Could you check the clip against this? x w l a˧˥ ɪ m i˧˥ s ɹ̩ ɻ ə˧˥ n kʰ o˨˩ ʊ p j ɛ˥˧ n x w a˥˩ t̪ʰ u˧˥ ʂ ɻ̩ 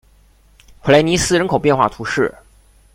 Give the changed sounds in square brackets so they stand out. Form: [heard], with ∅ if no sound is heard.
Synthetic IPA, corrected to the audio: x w l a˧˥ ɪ [n] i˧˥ s ɹ̩ ɻ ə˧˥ n kʰ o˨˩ ʊ p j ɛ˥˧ n x w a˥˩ t̪ʰ u˧˥ ʂ ɻ̩